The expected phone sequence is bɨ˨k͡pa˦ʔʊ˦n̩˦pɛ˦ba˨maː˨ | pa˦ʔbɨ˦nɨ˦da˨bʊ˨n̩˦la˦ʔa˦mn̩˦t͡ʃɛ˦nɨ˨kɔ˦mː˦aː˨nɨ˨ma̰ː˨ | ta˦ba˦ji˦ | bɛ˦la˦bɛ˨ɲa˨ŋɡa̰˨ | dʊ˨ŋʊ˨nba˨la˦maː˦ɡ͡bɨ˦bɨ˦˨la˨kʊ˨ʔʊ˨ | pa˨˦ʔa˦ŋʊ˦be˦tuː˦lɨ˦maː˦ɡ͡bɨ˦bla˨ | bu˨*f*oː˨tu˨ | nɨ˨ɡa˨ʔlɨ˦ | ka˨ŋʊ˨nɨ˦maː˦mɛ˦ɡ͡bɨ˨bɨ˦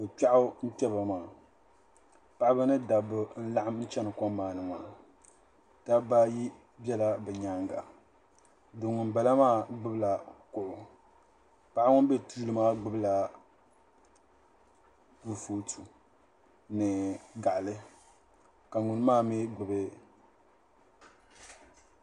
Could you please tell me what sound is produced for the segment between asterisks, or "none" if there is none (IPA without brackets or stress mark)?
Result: f